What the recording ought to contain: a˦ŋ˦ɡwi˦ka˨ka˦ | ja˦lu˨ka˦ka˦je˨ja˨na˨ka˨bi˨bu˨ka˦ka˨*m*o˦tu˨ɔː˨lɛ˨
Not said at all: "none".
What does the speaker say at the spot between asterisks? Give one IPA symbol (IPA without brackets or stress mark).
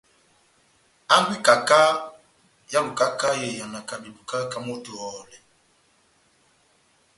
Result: m